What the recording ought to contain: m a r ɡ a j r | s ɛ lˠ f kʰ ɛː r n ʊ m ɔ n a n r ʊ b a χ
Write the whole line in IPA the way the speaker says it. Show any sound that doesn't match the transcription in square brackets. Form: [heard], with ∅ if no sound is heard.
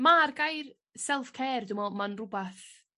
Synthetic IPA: m a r ɡ a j r | s ɛ lˠ f kʰ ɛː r [d] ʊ m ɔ [m] a n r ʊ b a [θ]

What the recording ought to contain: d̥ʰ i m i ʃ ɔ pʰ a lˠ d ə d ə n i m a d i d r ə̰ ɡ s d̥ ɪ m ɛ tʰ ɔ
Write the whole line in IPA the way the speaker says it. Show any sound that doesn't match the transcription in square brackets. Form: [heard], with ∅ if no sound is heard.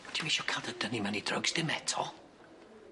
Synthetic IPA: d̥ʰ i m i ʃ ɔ [kʰ] a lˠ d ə d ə n i m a [n] i d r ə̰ ɡ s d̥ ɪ m ɛ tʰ ɔ

